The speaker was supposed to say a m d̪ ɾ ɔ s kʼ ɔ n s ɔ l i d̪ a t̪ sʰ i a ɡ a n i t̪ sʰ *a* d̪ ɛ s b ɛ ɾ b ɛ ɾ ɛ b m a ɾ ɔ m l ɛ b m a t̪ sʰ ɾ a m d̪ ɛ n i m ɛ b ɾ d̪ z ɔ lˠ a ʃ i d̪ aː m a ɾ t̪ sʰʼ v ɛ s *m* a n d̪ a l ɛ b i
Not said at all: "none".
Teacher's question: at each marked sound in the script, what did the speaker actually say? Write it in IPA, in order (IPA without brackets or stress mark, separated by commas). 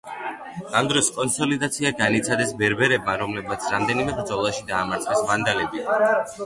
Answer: a, m